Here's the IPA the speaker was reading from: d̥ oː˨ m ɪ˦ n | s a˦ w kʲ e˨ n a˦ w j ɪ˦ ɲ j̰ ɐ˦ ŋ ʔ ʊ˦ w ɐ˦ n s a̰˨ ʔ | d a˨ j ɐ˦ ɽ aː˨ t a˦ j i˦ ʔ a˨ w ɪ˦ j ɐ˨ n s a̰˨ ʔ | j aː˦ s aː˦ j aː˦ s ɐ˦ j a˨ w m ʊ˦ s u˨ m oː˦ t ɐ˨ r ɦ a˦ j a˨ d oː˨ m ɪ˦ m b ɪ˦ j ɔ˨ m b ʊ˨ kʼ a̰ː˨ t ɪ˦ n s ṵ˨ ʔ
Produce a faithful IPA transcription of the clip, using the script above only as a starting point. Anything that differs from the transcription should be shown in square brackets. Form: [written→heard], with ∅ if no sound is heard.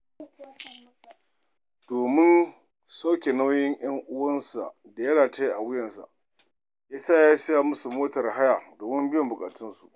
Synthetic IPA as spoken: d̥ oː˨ m ɪ˦ n | s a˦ w kʲ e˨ n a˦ w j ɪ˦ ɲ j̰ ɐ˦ ŋ ʔ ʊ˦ w ɐ˦ n s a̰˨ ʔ | d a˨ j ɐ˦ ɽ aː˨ t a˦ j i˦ ʔ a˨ w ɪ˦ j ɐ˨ n s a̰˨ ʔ | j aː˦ s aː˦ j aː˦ s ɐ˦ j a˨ [w→∅] m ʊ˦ s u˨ m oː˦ t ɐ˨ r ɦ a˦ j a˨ d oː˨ m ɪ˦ m b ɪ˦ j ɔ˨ m b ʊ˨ kʼ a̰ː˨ t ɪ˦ n s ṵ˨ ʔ